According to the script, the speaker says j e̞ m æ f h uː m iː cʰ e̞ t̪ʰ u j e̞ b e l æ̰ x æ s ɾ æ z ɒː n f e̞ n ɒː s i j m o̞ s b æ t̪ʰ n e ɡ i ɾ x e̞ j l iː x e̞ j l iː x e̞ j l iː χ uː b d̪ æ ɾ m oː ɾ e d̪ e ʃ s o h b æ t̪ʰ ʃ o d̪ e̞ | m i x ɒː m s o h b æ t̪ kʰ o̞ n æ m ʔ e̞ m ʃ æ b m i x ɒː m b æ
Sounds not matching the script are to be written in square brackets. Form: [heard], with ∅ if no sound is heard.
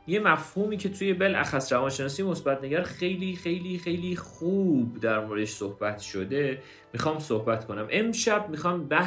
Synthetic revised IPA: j e̞ m æ f h uː m iː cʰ e̞ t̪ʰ u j e̞ b e l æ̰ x æ s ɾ æ [v] ɒː n [ʃ] e̞ n ɒː s i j m o̞ s b æ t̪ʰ n e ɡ [æ] ɾ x e̞ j l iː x e̞ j l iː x e̞ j l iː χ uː b d̪ æ ɾ m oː ɾ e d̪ e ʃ s o h b æ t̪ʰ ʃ o d̪ e̞ | m i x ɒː m s o h b æ t̪ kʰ o̞ n æ m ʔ e̞ m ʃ æ b m i x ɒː m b æ